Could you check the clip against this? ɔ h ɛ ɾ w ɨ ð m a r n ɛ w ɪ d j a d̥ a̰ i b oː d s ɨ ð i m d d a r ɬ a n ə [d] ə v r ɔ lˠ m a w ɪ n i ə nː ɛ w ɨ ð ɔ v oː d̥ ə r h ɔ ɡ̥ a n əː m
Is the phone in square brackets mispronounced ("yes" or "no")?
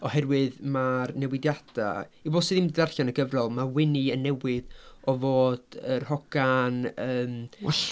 yes